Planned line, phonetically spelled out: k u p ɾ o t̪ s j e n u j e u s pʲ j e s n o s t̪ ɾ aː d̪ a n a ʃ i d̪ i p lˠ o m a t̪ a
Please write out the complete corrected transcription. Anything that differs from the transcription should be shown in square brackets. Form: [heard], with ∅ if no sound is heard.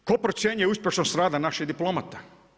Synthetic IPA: k [o] p ɾ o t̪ s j e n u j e u s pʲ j e [ʃ] n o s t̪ ɾ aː d̪ a n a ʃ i d̪ i p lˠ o m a t̪ a